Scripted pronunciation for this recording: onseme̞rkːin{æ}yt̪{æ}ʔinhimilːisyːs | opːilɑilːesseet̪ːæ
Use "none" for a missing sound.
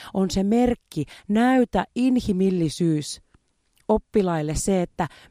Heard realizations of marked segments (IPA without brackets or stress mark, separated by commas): æ, æ